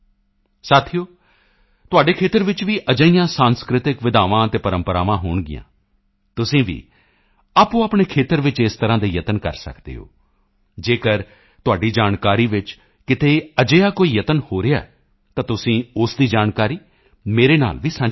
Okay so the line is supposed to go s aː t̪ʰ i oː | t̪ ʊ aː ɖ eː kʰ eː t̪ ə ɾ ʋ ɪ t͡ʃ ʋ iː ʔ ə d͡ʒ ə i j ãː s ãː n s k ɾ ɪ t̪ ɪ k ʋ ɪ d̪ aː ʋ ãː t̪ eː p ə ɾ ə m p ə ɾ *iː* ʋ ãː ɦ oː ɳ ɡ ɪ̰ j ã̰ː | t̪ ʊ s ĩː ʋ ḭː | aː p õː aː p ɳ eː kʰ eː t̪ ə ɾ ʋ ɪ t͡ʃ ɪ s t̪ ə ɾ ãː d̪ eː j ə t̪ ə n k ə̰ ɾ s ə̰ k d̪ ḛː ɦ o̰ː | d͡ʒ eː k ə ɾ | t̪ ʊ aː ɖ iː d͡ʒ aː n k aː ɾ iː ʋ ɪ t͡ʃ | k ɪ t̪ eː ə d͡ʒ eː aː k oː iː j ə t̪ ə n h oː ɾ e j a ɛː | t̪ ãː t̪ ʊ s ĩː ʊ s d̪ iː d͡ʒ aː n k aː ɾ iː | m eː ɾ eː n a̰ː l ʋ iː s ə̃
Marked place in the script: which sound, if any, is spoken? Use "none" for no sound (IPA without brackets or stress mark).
aː